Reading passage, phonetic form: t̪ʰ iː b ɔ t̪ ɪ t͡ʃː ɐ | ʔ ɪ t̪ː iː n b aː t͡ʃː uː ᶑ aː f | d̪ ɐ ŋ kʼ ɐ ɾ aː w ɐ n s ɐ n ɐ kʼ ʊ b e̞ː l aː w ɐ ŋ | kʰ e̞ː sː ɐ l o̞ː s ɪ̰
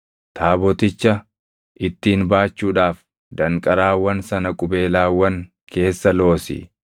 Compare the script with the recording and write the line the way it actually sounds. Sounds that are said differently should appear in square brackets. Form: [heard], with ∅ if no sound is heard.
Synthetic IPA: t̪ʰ [aː] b ɔ t̪ ɪ t͡ʃː ɐ | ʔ ɪ t̪ː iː n b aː t͡ʃː uː ᶑ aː f | d̪ ɐ ŋ kʼ ɐ ɾ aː w ɐ n s ɐ n ɐ kʼ ʊ b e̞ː l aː w ɐ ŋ | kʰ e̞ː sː ɐ l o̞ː s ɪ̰